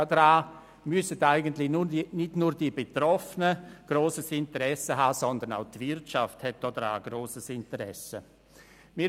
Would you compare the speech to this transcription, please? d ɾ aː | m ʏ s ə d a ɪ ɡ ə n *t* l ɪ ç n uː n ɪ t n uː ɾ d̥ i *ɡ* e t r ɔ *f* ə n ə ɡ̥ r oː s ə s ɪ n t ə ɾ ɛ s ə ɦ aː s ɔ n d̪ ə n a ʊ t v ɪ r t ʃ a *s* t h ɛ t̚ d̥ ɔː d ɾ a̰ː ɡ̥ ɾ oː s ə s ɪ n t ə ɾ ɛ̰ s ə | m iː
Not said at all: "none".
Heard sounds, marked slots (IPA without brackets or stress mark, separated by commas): t, b, f, f